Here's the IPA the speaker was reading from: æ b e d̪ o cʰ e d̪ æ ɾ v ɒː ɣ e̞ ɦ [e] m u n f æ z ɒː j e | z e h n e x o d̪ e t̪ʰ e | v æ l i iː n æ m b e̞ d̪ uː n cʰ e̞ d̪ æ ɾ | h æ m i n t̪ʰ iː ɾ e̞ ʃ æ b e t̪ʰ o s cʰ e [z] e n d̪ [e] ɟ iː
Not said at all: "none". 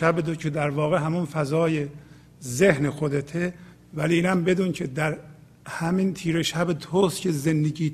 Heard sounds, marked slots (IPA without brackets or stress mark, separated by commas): æ, z, e